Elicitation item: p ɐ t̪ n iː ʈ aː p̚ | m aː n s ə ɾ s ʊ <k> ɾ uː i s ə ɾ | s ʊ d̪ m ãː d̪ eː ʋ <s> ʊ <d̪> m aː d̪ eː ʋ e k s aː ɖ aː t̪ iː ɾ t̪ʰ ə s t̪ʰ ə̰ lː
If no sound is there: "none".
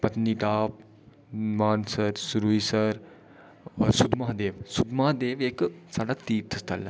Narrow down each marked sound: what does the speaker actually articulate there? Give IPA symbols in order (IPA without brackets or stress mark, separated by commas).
none, s, d̪